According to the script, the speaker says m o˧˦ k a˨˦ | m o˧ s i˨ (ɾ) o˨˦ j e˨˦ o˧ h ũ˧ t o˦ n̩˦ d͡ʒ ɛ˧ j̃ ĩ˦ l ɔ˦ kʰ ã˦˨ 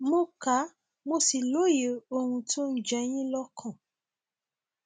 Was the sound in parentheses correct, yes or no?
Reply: no